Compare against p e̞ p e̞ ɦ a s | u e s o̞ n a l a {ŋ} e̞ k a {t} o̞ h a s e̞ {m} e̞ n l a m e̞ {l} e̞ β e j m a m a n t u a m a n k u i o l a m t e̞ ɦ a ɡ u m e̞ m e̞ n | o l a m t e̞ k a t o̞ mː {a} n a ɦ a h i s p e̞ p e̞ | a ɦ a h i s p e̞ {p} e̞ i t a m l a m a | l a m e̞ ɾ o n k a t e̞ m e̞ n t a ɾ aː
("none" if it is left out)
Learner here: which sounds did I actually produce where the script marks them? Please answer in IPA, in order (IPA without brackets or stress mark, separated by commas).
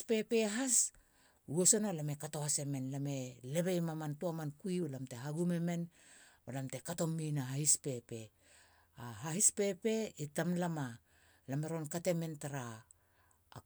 m, t, m, l, i, p